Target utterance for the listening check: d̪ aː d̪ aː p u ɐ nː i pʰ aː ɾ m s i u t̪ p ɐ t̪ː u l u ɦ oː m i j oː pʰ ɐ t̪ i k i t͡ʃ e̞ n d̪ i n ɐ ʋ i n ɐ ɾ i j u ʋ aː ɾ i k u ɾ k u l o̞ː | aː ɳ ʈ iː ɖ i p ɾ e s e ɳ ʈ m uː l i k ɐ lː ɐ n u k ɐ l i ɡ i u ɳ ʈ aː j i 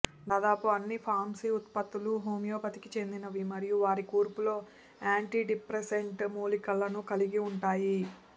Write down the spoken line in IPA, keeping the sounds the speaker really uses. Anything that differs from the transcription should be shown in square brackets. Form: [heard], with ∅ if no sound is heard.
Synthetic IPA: d̪ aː d̪ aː p u ɐ nː i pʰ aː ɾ m s i u t̪ p ɐ t̪ː u l u ɦ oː m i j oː [p] ɐ t̪ i k i t͡ʃ e̞ n d̪ i n ɐ ʋ i [m] ɐ ɾ i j u ʋ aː ɾ i k [uː] ɾ [p] u l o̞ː | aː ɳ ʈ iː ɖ i p ɾ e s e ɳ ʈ m uː l i k ɐ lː ɐ n u k ɐ l i ɡ i u ɳ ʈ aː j i